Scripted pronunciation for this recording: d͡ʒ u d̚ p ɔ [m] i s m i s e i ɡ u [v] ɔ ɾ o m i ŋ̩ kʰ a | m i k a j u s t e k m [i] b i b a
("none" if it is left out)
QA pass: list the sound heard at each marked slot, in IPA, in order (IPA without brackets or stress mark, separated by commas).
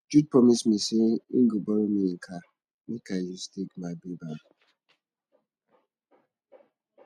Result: m, b, a